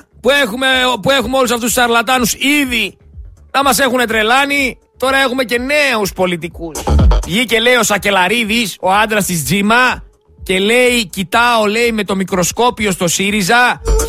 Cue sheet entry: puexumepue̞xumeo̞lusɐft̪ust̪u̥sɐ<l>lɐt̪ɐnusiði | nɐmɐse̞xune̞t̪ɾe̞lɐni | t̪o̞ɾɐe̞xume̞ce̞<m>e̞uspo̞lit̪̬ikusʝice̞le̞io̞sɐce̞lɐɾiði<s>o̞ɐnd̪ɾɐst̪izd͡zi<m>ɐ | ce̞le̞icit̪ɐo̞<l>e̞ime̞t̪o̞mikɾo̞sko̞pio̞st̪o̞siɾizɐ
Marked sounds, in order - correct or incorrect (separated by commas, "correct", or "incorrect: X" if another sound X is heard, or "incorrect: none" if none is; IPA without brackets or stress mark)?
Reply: incorrect: ɾ, incorrect: n, correct, correct, correct